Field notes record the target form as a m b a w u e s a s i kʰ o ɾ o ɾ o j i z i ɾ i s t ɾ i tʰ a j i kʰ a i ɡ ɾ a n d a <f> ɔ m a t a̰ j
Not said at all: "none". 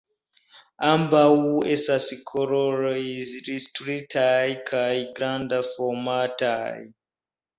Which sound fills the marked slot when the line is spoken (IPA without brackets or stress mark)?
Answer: f